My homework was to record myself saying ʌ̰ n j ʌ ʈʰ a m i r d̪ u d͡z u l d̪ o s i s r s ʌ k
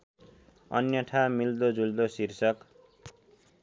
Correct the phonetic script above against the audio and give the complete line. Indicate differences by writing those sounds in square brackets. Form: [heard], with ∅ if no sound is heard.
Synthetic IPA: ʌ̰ n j ʌ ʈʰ a m i [l] d̪ [o] d͡z u l d̪ o s i [∅] r s ʌ k